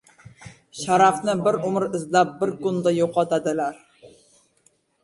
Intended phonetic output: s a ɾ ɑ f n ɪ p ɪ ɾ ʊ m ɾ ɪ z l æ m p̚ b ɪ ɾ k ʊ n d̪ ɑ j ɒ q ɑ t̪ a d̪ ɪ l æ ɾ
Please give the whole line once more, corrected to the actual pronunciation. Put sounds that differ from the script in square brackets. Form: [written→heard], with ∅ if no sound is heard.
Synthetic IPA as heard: [s→ʃ] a ɾ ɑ f n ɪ [p→b] ɪ ɾ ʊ m ɾ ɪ z l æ [m→∅] p̚ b ɪ ɾ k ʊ n d̪ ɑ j [ɒ→o] q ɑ t̪ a d̪ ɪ l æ ɾ